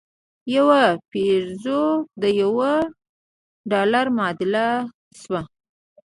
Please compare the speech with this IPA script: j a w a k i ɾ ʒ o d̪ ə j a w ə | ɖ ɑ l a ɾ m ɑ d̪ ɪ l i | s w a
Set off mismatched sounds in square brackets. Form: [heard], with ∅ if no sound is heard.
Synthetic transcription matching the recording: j a w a [p] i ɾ [z] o d̪ ə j a w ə | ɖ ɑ l a ɾ m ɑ d̪ ɪ l [a] | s w a